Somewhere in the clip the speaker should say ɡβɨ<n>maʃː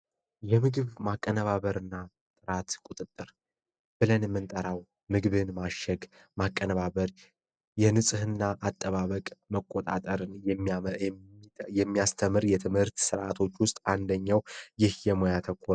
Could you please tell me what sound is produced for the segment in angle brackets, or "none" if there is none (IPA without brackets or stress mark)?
n